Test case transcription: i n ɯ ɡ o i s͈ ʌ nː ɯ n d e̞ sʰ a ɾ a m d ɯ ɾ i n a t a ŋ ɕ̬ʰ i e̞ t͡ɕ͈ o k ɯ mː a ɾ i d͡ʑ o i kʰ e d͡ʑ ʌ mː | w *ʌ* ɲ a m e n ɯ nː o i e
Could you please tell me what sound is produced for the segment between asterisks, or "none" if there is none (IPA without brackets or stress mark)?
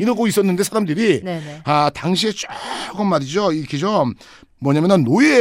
ʌ